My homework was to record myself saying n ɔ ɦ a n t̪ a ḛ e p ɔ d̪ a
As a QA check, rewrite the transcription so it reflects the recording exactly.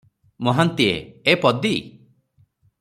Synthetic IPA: m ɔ ɦ a n t̪ i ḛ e p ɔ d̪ i